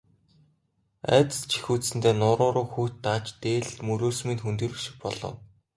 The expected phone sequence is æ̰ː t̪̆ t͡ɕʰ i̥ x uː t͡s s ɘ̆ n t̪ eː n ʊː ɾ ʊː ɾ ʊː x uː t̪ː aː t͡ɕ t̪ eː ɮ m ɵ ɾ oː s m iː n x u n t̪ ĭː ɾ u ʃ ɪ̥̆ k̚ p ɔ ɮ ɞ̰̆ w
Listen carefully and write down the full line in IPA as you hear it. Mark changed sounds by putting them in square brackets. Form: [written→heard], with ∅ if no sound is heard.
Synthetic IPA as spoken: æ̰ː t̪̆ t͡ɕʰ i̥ x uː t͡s s ɘ̆ n t̪ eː n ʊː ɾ ʊː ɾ ʊː x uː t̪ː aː t͡ɕ t̪ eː ɮ m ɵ ɾ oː s m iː n x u n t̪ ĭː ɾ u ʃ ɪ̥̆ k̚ p ɔ ɮ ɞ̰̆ w